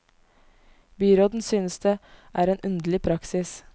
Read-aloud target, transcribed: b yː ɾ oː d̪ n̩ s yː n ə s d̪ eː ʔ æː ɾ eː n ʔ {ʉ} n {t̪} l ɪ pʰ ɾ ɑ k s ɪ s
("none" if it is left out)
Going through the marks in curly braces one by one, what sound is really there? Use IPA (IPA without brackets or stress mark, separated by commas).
ʉ, d̪